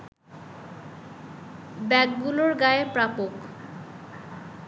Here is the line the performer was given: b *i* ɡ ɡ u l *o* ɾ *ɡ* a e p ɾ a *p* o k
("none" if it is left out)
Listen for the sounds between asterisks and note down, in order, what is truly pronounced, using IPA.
ɛ, o, ɡ, p

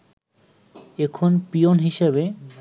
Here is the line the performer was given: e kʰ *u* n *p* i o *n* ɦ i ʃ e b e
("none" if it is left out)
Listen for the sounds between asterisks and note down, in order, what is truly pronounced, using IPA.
o, p, n

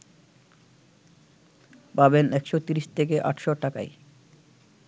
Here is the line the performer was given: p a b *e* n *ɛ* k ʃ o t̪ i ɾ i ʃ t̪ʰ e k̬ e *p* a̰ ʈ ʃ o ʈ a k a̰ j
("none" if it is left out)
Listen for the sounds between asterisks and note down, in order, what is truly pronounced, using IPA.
e, ɛ, ʔ

